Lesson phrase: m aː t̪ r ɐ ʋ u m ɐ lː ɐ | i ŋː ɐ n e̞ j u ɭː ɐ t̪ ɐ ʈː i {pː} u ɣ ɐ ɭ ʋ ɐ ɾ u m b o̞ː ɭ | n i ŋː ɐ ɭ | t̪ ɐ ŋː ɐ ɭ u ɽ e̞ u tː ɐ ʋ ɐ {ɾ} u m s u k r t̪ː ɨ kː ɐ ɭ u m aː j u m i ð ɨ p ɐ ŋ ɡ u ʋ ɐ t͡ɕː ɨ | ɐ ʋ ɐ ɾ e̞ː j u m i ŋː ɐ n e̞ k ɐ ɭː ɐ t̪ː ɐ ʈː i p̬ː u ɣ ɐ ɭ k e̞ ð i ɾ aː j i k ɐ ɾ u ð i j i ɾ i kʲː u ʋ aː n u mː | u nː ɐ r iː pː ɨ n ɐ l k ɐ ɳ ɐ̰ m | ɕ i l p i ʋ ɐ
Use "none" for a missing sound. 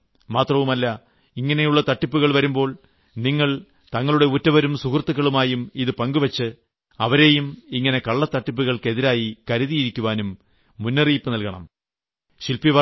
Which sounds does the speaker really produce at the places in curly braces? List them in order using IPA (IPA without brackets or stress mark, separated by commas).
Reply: pː, ɾ